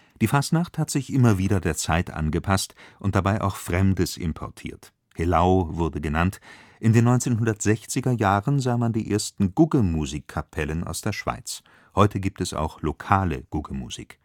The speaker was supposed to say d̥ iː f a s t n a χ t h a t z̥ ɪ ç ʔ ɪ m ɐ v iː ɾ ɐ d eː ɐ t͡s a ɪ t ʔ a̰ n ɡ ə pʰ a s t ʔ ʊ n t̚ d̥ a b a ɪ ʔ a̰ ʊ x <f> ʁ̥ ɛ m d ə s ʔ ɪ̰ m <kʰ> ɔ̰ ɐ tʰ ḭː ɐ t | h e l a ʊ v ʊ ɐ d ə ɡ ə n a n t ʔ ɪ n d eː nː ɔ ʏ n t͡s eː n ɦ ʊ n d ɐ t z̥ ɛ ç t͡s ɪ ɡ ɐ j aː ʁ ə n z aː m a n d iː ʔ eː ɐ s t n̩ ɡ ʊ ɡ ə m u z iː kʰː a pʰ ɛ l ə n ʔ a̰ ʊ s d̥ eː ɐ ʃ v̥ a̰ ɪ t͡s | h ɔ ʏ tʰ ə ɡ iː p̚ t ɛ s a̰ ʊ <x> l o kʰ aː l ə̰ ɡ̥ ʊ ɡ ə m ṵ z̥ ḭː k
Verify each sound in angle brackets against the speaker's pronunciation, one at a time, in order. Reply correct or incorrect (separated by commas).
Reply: correct, incorrect, correct